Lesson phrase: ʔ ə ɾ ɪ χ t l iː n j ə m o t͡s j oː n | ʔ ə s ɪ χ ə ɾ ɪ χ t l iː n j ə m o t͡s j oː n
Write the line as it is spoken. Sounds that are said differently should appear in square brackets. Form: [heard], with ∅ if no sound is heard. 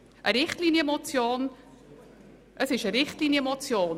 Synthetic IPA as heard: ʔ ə ɾ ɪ χ t l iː n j ə m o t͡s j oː n | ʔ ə s ɪ [ʃ] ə ɾ ɪ χ t l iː n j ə m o t͡s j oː n